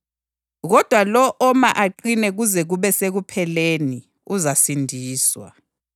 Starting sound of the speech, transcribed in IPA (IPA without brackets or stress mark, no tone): ɣ